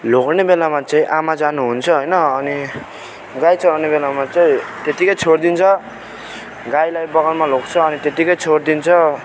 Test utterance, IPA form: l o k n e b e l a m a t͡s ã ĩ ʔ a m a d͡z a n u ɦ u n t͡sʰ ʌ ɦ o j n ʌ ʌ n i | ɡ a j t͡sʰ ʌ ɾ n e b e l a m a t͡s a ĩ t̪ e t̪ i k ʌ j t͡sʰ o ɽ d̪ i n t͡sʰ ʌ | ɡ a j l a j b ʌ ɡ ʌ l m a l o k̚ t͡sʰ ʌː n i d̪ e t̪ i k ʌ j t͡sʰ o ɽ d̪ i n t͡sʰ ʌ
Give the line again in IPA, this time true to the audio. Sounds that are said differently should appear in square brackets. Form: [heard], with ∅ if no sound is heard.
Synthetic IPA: l o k n e b e l a m a t͡s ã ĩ ʔ a m a d͡z a n u ɦ u n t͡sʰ ʌ ɦ o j n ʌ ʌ n i | ɡ a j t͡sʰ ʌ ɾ n e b e l a m a t͡s a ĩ t̪ e t̪ i k ʌ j t͡sʰ o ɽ d̪ i n t͡sʰ ʌ | ɡ a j l a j b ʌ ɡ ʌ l m a l o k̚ t͡sʰ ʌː n i [t̪] e t̪ i k ʌ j t͡sʰ o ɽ d̪ i n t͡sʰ ʌ